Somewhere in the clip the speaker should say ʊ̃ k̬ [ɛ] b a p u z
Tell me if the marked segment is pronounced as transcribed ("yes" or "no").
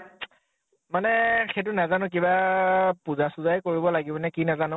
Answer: no